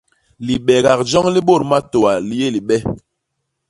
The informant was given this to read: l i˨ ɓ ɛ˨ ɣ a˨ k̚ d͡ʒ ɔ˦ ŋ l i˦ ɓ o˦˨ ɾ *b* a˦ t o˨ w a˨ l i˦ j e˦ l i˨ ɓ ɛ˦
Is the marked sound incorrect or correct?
incorrect: m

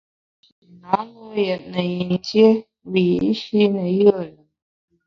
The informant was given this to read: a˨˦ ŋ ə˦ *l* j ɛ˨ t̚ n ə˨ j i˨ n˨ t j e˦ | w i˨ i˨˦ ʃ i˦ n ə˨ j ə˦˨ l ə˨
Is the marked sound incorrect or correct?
incorrect: none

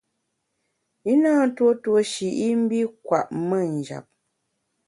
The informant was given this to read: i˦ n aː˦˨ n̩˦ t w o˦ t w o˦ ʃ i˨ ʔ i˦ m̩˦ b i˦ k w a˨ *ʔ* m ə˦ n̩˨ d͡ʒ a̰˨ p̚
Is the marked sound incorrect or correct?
correct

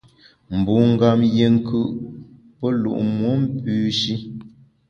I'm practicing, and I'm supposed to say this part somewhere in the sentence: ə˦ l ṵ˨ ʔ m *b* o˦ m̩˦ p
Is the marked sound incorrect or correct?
incorrect: w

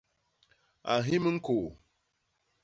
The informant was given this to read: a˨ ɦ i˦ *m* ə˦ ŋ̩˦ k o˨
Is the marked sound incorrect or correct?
correct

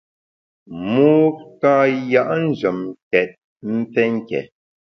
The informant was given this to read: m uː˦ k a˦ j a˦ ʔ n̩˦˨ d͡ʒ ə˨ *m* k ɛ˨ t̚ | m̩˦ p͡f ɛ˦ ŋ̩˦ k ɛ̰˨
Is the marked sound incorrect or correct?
correct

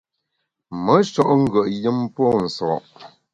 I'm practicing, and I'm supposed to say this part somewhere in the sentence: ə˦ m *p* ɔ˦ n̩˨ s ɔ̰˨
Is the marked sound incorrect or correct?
correct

